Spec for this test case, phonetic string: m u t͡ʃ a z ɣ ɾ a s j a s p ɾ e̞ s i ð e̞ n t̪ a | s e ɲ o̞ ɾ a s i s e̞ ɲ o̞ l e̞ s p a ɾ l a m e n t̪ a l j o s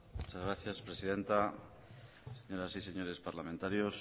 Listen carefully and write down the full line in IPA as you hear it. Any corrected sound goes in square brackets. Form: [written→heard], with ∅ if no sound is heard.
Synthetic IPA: m u t͡ʃ a z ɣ ɾ a [s→θ] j a s p ɾ e̞ s i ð e̞ n t̪ a | s e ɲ o̞ ɾ a s i s e̞ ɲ o̞ [l→ɾ] e̞ s p a ɾ l a m e n t̪ a [l→ɾ] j o s

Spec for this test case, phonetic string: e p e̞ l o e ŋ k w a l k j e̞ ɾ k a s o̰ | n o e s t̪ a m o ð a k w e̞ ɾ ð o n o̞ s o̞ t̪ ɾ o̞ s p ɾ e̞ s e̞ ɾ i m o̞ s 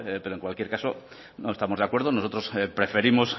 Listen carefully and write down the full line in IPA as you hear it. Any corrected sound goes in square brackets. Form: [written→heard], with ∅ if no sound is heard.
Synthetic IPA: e p e̞ [l→ɾ] o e ŋ k w a l k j e̞ ɾ k a s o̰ | n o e s t̪ a m o ð a k w e̞ ɾ ð o n o̞ s o̞ t̪ ɾ o̞ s p ɾ e̞ [s→f] e̞ ɾ i m o̞ s

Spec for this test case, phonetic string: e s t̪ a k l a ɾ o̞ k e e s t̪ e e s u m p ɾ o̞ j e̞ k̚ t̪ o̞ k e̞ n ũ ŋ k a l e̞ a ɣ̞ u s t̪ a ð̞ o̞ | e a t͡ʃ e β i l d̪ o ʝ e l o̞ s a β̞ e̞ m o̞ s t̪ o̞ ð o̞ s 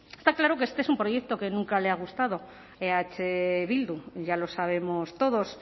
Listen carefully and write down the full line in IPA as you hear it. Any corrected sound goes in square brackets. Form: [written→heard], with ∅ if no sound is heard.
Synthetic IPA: e s t̪ a k l a ɾ o̞ k e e s t̪ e e s u m p ɾ o̞ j e̞ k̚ t̪ o̞ k e̞ n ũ ŋ k a l e̞ a ɣ̞ u s t̪ a ð̞ o̞ | e a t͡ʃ e β i l d̪ [o→u] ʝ [e→a] l o̞ s a β̞ e̞ m o̞ s t̪ o̞ ð o̞ s

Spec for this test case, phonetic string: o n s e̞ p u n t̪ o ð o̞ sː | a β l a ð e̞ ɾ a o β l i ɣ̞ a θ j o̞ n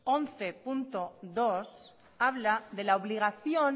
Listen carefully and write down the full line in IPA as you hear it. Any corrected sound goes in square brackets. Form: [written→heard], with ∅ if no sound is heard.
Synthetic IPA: o n [s→θ] e̞ p u n t̪ o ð o̞ [sː→s] | a β l a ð e̞ [ɾ→l] a o β l i ɣ̞ a θ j o̞ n

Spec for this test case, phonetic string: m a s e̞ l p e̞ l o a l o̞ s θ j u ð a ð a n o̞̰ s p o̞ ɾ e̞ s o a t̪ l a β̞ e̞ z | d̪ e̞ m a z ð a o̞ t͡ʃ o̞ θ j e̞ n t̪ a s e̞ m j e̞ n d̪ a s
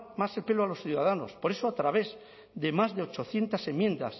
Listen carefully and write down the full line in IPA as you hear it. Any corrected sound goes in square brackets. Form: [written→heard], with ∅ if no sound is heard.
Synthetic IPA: m a s e̞ l p e̞ l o a l o̞ s θ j u ð a ð a n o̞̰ s p o̞ ɾ e̞ s o a t̪ [l→ɾ] a β̞ e̞ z | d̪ e̞ m a z ð [a→e] o̞ t͡ʃ o̞ θ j e̞ n t̪ a s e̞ m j e̞ n d̪ a s

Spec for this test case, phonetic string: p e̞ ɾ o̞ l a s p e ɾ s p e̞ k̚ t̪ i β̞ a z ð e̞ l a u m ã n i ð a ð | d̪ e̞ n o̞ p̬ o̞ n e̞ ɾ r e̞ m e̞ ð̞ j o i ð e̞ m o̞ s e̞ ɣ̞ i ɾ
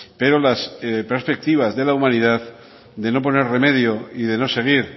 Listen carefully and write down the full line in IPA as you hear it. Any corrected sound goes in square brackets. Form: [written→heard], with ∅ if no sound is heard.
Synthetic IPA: p e̞ ɾ o̞ l a s p e ɾ s p e̞ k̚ t̪ i β̞ a z ð e̞ l a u m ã n i ð a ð | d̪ e̞ n o̞ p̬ o̞ n e̞ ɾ r e̞ m e̞ ð̞ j o i ð e̞ [m→n] o̞ s e̞ ɣ̞ i ɾ

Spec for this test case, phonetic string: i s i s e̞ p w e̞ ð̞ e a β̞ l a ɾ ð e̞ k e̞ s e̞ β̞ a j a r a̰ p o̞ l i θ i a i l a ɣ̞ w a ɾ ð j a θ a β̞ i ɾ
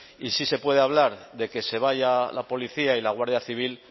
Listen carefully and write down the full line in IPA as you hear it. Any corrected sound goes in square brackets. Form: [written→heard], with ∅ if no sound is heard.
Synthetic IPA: i s i s e̞ p w e̞ ð̞ e a β̞ l a ɾ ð e̞ k e̞ s e̞ β̞ a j a [r→l] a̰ p o̞ l i θ i a i l a ɣ̞ w a ɾ ð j a θ [a→i] β̞ i [ɾ→l]

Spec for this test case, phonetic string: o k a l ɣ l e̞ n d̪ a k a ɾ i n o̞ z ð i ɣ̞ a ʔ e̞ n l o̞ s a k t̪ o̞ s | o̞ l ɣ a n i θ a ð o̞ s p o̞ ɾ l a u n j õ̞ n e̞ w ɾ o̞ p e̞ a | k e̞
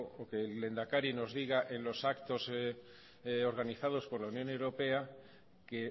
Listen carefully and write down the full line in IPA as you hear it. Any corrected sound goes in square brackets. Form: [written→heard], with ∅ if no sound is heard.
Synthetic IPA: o k [a→e] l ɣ l e̞ n d̪ a k a ɾ i n o̞ z ð i ɣ̞ a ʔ e̞ n l o̞ s a k t̪ o̞ s | o̞ [l→ɾ] ɣ a n i θ a ð o̞ s p o̞ ɾ l a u n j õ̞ n e̞ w ɾ o̞ p e̞ a | k e̞

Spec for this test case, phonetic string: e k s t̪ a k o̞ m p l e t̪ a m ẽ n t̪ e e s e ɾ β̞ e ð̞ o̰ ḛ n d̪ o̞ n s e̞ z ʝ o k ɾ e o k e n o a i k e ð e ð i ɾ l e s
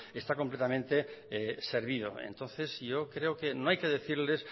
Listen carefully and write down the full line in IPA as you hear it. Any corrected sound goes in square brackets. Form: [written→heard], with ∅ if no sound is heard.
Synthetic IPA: e [k→∅] s t̪ a k o̞ m p l e t̪ a m ẽ n t̪ e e s e ɾ β̞ [e→i] ð̞ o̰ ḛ n [d̪→t̪] o̞ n [s→θ] e̞ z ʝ o k ɾ e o k e n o a [i→j] k e ð e [ð→θ] i ɾ l e s

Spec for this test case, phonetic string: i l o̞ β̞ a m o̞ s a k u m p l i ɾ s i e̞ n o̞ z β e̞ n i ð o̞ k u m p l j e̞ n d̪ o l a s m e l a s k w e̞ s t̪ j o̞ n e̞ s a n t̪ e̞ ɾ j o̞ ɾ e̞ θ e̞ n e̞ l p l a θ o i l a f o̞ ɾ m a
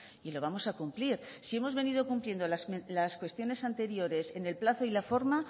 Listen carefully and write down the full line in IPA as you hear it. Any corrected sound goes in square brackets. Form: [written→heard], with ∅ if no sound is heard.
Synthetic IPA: i l o̞ β̞ a m o̞ s a k u m p l i ɾ s i e̞ [n→m] o̞ z β e̞ n i ð o̞ k u m p l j e̞ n d̪ o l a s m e l a s k w e̞ s t̪ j o̞ n e̞ s a n t̪ e̞ ɾ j o̞ ɾ e̞ [θ→s] e̞ n e̞ l p l a θ o i l a f o̞ ɾ m a

